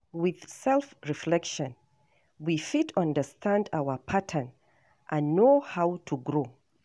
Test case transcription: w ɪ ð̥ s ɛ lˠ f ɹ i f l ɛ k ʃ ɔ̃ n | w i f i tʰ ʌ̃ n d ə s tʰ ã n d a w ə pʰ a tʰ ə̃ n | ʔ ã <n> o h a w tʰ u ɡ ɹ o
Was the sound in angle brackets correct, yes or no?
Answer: no